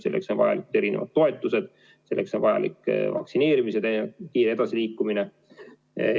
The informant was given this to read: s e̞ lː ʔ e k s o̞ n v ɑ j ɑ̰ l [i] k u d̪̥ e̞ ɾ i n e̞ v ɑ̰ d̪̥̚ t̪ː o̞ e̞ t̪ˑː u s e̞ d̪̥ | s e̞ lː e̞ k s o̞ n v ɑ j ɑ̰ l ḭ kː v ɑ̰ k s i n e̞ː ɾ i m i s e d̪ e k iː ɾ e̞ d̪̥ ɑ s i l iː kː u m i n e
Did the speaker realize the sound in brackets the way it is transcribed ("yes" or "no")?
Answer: yes